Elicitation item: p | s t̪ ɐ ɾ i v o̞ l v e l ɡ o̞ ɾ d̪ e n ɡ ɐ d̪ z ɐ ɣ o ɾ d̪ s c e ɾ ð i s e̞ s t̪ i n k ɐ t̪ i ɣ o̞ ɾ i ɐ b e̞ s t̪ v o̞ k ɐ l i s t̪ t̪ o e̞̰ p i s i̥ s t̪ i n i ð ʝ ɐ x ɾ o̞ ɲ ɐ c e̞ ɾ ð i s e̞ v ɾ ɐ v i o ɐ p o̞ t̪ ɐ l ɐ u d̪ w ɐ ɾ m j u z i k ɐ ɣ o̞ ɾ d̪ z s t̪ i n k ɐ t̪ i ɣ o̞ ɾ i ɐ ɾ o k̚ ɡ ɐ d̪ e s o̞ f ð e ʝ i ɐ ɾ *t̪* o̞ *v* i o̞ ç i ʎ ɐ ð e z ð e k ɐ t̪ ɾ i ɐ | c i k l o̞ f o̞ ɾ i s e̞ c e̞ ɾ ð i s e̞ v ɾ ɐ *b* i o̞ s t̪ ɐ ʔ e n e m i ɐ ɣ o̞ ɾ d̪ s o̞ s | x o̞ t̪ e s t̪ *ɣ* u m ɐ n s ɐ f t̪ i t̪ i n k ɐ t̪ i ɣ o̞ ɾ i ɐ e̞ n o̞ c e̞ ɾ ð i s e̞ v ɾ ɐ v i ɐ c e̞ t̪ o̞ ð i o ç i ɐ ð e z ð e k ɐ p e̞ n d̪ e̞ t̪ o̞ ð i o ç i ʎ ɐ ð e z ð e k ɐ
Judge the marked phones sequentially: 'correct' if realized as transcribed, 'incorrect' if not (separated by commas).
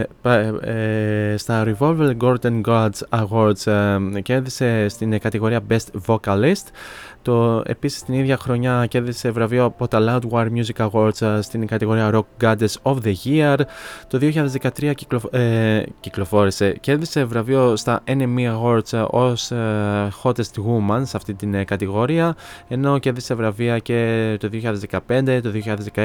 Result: correct, incorrect, incorrect, correct